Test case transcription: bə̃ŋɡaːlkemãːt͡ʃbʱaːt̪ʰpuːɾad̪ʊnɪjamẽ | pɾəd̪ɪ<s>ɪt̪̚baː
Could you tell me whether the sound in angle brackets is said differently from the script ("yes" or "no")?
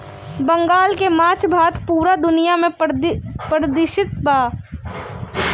yes